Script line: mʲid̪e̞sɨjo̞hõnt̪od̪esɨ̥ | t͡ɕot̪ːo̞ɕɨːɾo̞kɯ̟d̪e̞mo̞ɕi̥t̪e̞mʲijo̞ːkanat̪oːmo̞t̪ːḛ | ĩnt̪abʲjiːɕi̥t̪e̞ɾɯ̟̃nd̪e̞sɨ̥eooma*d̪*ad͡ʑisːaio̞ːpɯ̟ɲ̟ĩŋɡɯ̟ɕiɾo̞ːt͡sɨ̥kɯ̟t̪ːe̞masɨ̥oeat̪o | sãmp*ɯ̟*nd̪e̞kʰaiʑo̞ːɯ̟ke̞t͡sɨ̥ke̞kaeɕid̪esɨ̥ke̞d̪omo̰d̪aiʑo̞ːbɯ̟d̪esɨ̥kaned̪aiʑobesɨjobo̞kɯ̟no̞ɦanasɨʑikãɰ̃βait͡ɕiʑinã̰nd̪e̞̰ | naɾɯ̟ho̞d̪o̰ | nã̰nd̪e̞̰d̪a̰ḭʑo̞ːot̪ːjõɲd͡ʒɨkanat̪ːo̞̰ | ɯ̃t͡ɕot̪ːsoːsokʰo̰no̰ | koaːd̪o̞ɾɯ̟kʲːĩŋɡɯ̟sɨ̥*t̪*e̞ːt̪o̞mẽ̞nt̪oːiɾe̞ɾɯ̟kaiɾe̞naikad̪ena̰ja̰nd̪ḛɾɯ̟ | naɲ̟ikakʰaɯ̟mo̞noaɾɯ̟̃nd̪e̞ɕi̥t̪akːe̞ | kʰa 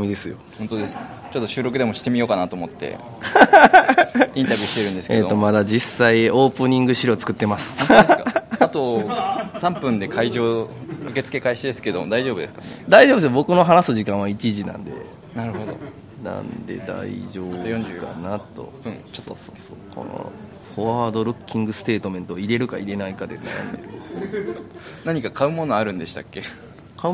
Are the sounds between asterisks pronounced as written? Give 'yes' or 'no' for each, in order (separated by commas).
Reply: yes, no, yes